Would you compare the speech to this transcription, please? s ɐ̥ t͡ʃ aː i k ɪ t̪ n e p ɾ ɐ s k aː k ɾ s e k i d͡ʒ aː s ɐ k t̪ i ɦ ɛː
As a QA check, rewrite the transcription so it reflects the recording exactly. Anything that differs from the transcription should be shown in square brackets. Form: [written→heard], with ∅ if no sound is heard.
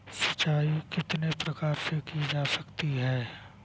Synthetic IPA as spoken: s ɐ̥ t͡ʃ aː i k ɪ t̪ n e p ɾ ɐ [s→∅] k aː [k→∅] ɾ s e k i d͡ʒ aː s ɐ k t̪ i ɦ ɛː